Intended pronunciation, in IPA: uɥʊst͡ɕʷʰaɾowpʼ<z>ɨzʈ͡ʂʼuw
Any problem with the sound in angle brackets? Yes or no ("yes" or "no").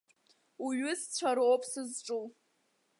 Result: yes